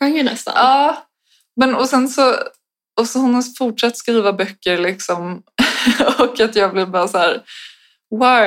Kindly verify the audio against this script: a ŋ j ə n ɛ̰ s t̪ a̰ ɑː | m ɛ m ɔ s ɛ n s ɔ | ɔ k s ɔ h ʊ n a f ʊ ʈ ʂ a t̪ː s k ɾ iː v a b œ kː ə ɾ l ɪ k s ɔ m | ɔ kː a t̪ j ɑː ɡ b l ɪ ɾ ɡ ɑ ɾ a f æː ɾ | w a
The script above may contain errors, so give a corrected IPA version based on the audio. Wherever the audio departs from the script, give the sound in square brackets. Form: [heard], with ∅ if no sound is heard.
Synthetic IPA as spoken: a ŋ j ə n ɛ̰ s t̪ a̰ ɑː | m ɛ [n] ɔ s ɛ n s ɔ | ɔ [∅] s ɔ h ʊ n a f ʊ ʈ ʂ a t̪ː s k ɾ iː v a b œ kː ə ɾ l ɪ k s ɔ m | ɔ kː a t̪ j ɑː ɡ b l ɪ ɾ [b] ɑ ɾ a [s] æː ɾ | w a